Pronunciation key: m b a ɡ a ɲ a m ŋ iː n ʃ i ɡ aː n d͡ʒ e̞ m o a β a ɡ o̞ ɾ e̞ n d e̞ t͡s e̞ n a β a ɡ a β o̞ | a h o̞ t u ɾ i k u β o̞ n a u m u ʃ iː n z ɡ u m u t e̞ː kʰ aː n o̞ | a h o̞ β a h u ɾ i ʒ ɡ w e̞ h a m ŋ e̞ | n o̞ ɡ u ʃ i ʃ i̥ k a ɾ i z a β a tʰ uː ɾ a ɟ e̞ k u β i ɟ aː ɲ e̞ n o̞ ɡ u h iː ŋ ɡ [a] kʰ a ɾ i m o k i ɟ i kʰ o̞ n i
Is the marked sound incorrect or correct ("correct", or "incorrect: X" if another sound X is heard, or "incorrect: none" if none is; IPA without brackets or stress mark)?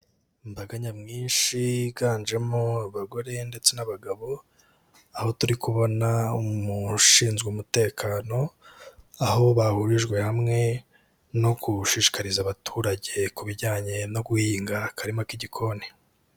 correct